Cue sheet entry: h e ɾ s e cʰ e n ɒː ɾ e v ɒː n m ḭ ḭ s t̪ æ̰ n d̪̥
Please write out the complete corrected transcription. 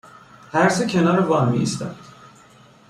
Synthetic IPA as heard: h æ ɾ s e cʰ e n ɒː ɾ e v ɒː n m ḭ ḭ s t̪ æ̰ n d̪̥

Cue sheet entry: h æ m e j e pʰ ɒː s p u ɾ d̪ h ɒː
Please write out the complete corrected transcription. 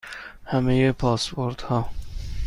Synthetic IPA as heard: h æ m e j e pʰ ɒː s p o ɾ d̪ h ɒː

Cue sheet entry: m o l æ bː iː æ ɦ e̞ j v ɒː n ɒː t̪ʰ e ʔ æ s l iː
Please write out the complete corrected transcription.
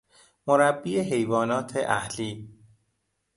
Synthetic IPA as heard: m o ɾ æ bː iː e ɦ e̞ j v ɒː n ɒː t̪ʰ e ʔ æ h l iː

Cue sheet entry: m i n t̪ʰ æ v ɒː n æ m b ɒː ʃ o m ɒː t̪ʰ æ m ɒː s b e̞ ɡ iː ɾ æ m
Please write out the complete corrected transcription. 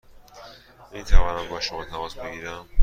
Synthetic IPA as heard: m i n t̪ʰ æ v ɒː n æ m b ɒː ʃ o m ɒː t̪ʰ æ m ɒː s b e̞ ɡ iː ɾ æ m

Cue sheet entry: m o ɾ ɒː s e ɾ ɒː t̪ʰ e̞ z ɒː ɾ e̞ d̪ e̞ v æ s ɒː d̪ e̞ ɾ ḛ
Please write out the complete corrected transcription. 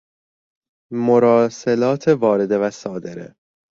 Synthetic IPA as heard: m o ɾ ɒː s e l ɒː t̪ʰ e̞ v ɒː ɾ e̞ d̪ e̞ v æ s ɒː d̪ e̞ ɾ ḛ

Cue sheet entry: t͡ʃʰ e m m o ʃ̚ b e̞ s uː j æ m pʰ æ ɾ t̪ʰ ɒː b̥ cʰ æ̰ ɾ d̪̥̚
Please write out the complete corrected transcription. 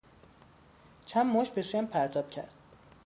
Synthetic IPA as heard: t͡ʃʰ æ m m o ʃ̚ b e̞ s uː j æ m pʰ æ ɾ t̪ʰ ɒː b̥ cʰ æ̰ ɾ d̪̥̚

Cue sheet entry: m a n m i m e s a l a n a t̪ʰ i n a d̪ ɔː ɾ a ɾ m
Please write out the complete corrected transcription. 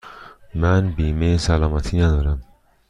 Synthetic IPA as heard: m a n b i m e s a l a m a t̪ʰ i n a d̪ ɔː ɾ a m

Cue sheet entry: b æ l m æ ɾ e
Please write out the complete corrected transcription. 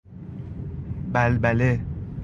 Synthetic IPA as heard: b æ l b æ l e

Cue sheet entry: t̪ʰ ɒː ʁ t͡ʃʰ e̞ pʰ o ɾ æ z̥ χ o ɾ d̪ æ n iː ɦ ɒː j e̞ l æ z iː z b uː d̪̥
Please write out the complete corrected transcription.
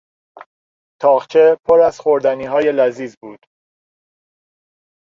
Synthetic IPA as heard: t̪ʰ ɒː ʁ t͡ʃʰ e̞ pʰ o ɾ æ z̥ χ o ɾ d̪ æ n iː ɦ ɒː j e̞ l æ z iː z b uː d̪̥

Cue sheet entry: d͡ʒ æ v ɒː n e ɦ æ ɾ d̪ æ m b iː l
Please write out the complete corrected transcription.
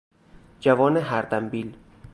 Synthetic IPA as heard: d͡ʒ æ v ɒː n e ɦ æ ɾ d̪ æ m b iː l

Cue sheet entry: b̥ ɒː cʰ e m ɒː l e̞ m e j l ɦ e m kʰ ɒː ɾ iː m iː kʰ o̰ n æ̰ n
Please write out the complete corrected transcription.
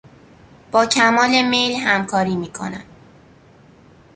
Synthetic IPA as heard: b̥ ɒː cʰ æ m ɒː l e̞ m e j l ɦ æ m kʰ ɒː ɾ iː m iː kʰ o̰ n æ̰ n

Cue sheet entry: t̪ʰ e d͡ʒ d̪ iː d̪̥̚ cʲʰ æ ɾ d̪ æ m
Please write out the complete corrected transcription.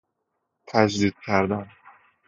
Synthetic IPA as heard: t̪ʰ æ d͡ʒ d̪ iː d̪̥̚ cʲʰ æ ɾ d̪ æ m

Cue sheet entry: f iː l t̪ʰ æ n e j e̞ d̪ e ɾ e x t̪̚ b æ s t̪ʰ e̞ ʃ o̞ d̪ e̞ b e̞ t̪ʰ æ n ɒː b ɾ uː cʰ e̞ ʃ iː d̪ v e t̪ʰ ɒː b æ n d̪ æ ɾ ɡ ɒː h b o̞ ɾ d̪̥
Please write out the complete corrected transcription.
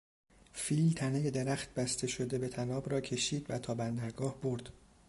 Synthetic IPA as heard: f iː l t̪ʰ æ n e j e̞ d̪ e ɾ æ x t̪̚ b æ s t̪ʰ e̞ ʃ o̞ d̪ e̞ b e̞ t̪ʰ æ n ɒː b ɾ ɒː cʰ e̞ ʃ iː d̪ v æ t̪ʰ ɒː b æ n d̪ æ ɾ ɡ ɒː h b o̞ ɾ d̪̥

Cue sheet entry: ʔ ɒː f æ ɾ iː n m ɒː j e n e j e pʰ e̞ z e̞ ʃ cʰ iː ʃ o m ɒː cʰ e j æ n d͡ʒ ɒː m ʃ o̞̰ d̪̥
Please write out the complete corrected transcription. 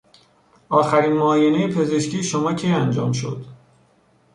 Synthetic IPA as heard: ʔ ɒː x æ ɾ iː n m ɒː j e n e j e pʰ e̞ z e̞ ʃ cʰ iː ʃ o m ɒː cʰ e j æ n d͡ʒ ɒː m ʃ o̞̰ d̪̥

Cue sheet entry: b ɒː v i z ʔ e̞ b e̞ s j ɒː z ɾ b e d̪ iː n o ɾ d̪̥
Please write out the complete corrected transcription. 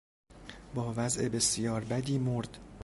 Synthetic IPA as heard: b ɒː v æ z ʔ e̞ b e̞ s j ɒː ɾ b æ d̪ iː m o ɾ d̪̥

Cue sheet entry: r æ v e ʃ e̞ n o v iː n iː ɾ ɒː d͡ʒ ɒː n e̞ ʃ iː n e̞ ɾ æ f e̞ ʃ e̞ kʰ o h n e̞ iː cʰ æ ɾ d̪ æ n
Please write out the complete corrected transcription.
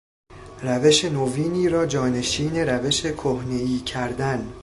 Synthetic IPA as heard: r æ v e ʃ e̞ n o v iː n iː ɾ ɒː d͡ʒ ɒː n e̞ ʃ iː n e̞ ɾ æ v e̞ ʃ e̞ kʰ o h n e̞ iː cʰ æ ɾ d̪ æ n

